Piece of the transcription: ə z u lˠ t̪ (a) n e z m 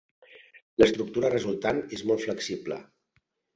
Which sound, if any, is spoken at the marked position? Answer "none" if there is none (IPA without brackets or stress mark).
a